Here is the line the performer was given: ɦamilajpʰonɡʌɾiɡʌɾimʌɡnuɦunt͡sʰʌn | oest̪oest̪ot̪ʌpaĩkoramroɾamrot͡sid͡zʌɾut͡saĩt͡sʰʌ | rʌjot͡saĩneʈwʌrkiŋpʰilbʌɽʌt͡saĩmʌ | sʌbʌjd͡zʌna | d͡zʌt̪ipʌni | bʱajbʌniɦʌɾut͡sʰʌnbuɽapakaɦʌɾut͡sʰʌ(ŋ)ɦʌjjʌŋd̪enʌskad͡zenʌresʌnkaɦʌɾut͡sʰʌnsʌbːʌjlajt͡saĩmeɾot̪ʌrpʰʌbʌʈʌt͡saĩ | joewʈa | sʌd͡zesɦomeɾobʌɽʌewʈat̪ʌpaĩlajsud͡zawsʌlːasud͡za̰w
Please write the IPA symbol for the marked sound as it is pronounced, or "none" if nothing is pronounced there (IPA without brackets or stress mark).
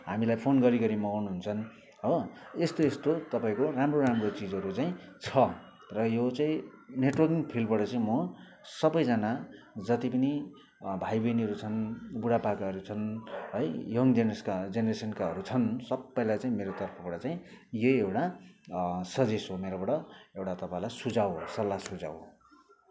n